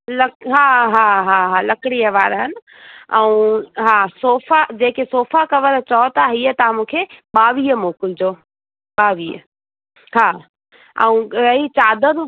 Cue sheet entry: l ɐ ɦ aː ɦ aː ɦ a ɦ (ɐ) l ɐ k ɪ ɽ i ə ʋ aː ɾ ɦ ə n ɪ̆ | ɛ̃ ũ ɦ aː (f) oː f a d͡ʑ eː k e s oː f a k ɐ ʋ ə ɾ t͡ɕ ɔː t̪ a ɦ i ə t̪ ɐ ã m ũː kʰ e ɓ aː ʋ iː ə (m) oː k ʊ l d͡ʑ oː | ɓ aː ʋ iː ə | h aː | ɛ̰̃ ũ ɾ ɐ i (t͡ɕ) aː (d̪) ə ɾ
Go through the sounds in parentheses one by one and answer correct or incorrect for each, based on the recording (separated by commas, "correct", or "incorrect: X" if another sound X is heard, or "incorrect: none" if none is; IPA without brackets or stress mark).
incorrect: a, incorrect: s, correct, correct, correct